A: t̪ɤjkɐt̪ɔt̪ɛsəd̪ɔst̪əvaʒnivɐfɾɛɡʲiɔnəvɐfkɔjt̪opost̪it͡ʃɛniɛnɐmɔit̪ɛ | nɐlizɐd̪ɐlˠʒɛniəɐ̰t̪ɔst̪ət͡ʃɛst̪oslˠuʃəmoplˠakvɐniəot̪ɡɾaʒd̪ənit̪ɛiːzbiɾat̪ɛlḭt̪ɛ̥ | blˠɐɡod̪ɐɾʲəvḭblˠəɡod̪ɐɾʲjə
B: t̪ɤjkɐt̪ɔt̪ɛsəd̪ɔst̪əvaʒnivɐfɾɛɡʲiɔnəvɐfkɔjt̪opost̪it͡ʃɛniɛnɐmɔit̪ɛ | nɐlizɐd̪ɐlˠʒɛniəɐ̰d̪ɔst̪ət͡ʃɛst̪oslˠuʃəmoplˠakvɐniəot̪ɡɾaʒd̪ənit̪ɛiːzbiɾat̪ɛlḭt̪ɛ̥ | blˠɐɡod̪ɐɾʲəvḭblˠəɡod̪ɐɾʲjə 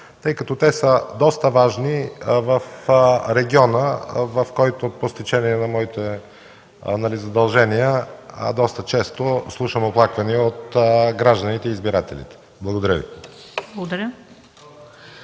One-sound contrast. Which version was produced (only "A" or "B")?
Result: B